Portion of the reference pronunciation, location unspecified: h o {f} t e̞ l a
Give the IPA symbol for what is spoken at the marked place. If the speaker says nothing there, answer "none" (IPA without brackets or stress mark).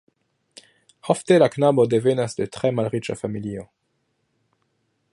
f